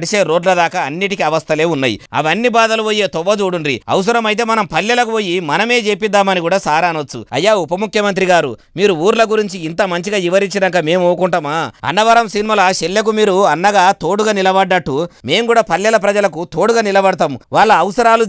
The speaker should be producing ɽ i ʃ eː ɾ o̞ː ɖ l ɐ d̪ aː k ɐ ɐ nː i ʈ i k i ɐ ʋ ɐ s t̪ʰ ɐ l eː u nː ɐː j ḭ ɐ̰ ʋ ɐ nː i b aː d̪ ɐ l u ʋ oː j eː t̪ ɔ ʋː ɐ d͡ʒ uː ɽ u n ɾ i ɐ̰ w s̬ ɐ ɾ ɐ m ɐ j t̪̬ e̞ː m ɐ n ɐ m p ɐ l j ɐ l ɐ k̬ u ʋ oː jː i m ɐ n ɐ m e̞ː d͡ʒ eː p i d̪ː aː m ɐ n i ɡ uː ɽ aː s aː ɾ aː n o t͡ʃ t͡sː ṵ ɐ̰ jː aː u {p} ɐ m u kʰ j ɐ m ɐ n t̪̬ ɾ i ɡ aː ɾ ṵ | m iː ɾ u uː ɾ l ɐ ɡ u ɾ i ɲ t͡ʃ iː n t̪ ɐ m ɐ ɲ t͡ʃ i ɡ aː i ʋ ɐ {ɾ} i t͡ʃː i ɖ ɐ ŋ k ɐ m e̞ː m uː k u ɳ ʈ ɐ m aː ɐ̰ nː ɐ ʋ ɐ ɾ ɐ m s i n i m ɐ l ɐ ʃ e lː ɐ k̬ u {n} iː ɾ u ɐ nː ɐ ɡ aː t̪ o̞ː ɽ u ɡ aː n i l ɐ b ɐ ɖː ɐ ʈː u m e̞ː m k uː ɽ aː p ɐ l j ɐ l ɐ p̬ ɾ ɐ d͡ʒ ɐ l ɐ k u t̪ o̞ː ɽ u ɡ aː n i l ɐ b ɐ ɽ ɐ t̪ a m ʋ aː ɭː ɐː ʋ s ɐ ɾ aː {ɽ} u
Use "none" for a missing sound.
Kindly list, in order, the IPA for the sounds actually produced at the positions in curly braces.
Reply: p, ɾ, m, l

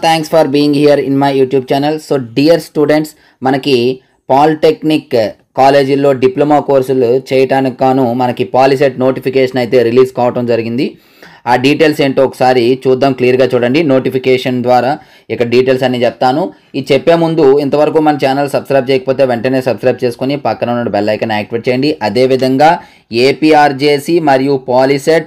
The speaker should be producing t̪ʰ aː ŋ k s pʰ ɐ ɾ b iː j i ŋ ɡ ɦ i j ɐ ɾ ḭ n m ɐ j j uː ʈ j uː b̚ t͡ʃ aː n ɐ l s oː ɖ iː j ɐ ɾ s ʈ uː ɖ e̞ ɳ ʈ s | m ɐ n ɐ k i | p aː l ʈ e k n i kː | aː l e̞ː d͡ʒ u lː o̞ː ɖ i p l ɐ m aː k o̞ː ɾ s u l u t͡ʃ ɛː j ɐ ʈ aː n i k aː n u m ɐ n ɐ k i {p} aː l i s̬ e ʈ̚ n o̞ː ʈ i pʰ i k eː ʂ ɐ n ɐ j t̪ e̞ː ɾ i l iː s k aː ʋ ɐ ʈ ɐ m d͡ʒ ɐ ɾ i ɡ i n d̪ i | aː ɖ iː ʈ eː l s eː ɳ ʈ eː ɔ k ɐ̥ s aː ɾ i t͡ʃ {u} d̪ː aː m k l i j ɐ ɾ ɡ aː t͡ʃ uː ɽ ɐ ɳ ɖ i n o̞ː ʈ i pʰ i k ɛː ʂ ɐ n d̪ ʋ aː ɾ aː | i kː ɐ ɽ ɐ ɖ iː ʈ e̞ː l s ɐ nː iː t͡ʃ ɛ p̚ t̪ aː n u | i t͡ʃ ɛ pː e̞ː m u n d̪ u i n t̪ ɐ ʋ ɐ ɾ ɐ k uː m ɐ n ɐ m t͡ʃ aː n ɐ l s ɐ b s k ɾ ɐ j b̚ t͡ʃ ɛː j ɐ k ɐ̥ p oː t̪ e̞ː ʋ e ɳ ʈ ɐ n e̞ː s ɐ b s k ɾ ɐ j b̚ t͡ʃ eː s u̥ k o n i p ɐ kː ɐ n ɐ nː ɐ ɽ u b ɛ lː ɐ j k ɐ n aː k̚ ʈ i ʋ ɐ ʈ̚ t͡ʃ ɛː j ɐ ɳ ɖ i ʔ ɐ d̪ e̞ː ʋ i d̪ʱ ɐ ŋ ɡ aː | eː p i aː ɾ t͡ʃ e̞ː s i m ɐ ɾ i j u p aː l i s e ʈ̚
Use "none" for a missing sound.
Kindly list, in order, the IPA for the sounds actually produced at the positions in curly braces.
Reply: p, uː

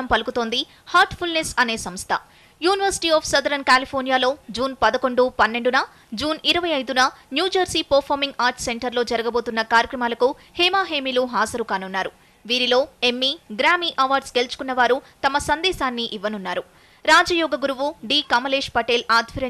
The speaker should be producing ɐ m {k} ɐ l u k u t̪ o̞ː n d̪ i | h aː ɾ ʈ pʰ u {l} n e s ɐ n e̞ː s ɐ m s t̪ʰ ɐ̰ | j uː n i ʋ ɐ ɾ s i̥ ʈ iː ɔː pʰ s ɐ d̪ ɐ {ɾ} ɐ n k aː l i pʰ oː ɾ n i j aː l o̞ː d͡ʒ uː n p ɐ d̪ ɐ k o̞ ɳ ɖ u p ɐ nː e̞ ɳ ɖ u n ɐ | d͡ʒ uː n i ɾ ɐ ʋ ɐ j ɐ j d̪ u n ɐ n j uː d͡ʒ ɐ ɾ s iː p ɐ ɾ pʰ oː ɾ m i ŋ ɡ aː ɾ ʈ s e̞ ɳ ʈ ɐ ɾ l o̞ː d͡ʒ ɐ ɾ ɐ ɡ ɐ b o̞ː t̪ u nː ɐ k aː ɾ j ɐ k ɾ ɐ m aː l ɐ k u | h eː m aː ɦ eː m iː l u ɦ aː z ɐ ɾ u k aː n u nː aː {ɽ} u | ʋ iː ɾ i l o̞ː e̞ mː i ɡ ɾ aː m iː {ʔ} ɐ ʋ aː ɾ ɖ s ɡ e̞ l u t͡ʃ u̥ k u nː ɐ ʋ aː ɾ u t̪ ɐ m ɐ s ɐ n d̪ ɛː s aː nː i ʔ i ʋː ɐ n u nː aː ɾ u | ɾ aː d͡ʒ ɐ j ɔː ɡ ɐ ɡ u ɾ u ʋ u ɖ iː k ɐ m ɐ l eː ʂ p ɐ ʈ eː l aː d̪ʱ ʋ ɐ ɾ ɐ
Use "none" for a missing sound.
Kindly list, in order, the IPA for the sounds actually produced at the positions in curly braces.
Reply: p, l, ɾ, ɾ, ʔ

